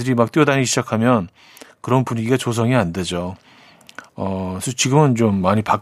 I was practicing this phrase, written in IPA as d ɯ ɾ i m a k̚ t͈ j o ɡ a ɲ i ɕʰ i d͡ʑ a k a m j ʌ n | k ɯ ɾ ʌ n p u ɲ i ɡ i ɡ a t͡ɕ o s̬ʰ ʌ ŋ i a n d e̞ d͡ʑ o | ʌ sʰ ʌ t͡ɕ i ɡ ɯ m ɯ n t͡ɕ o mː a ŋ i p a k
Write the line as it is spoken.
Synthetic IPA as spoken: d ɯ ɾ i m a k̚ t͈ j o d a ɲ i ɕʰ i d͡ʑ a kʰ a m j ʌ n | k ɯ ɾ ʌ n p u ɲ i ɡ i ɡ a t͡ɕ o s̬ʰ ʌ ŋ i a n d e̞ d͡ʑ o | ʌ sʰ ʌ t͡ɕ i ɡ ɯ m ɯ n t͡ɕ o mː a ɲ i p a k